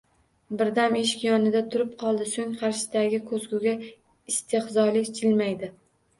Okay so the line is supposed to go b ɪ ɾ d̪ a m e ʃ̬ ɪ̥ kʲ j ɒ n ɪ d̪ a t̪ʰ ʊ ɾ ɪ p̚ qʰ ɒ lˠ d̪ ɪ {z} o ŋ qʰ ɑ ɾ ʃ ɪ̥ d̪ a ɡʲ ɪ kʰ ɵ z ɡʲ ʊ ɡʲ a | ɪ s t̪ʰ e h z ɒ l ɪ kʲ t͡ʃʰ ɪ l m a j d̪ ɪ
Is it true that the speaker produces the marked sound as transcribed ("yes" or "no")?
no